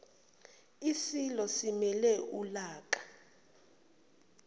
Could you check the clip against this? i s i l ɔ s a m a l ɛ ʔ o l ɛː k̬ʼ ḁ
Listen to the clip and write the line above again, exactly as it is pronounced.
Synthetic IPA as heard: i s i l ɔ s i m ɛ l ɛ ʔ u l aː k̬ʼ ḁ